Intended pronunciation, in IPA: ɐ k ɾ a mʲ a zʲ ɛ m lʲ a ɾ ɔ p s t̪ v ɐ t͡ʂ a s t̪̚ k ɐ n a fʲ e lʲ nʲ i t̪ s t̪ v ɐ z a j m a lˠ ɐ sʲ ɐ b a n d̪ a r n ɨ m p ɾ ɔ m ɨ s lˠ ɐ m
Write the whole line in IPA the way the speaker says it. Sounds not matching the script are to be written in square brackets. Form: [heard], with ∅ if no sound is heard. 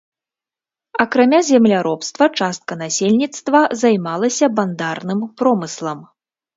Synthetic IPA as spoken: ɐ k ɾ a mʲ a zʲ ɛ m lʲ a ɾ ɔ p s t̪ v ɐ t͡ʂ a s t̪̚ k ɐ n a [sʲ] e lʲ nʲ i t̪ s t̪ v ɐ z a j m a lˠ ɐ sʲ ɐ b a n d̪ a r n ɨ m p ɾ ɔ m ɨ s lˠ ɐ m

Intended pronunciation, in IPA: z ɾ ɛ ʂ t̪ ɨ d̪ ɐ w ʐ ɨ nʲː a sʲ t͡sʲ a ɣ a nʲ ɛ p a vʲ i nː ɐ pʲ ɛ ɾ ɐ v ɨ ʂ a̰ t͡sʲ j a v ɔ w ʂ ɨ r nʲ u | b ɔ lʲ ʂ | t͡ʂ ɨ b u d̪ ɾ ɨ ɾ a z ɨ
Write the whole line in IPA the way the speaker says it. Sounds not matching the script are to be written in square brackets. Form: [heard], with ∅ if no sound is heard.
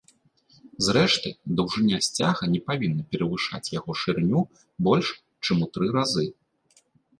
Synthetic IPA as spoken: z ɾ ɛ ʂ t̪ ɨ d̪ ɐ w ʐ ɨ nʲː a sʲ t͡sʲ a ɣ [ɐ] nʲ ɛ p a vʲ i nː ɐ pʲ ɛ ɾ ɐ v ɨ ʂ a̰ t͡sʲ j a [ɣ] ɔ [∅] ʂ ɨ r nʲ u | b ɔ lʲ ʂ | t͡ʂ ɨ [m] u [t̪] ɾ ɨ ɾ a z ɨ

